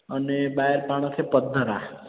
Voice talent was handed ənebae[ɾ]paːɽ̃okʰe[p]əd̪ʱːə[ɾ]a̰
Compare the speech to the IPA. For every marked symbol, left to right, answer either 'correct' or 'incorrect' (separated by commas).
correct, correct, correct